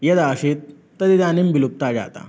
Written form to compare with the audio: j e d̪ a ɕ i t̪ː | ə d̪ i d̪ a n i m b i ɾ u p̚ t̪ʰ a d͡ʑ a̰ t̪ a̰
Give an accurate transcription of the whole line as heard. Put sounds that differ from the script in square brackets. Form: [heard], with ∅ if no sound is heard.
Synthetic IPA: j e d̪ a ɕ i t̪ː | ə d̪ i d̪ a n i m b i [l] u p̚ [t̪] a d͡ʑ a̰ t̪ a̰